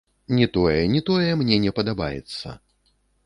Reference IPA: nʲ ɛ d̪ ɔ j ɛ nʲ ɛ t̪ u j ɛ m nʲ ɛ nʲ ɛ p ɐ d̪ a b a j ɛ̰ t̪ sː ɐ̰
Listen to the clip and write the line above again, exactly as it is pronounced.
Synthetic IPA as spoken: nʲ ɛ t̪ ɔ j ɛ nʲ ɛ t̪ ɔ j ɛ m nʲ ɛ nʲ ɛ p ɐ d̪ a b a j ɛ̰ t̪ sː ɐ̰